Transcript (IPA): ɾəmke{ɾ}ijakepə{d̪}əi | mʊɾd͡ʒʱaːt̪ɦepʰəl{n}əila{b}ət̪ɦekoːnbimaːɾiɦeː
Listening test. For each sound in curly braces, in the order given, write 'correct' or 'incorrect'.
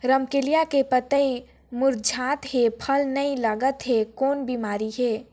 incorrect, incorrect, correct, incorrect

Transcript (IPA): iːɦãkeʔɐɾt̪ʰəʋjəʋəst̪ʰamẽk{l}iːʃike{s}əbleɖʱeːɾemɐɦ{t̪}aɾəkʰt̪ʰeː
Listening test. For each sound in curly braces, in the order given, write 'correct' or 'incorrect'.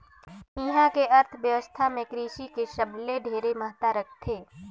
incorrect, incorrect, correct

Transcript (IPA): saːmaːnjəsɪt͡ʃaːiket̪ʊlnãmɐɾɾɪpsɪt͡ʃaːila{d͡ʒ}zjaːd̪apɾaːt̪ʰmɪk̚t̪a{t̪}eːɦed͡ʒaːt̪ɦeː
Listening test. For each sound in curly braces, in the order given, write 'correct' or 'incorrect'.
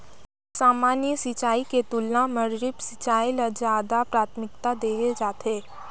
incorrect, incorrect

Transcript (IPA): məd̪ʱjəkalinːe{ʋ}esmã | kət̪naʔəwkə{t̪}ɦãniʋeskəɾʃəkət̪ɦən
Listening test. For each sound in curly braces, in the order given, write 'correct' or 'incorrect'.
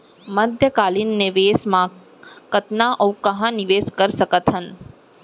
correct, incorrect

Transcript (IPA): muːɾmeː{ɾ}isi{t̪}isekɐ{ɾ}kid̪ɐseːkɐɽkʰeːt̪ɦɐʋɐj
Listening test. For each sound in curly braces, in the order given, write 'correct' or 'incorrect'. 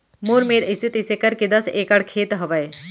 correct, correct, correct

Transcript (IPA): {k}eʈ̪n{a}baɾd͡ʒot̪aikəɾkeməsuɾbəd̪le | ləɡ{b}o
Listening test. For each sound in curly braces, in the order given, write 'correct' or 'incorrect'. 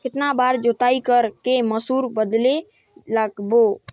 correct, correct, correct

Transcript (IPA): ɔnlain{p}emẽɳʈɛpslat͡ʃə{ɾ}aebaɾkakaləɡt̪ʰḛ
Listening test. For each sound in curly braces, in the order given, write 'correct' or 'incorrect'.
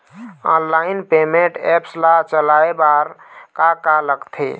correct, incorrect

